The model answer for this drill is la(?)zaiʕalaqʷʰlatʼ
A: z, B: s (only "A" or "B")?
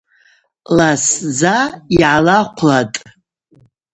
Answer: B